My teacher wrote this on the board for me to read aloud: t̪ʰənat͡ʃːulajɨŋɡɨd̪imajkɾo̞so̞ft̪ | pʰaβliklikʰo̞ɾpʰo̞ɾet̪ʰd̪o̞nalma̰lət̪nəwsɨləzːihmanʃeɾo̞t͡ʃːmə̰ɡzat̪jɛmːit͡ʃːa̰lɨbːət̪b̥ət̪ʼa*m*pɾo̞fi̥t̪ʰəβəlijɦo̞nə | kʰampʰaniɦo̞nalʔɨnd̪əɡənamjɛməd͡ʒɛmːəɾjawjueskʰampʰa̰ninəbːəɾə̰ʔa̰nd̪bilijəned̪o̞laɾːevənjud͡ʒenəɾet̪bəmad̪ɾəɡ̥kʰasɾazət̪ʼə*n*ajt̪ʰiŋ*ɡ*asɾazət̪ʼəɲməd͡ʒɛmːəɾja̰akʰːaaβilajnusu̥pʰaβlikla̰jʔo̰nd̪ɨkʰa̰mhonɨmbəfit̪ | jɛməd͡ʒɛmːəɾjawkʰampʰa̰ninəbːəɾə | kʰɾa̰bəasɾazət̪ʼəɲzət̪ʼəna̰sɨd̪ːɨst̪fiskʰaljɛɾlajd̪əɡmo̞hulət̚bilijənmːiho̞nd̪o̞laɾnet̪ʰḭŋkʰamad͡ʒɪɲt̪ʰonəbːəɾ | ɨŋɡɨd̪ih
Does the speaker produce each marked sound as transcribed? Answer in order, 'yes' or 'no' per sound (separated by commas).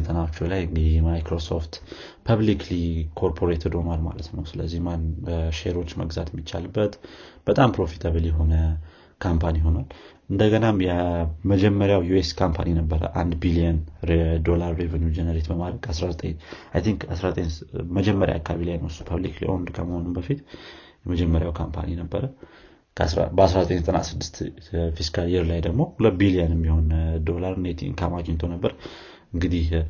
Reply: yes, no, no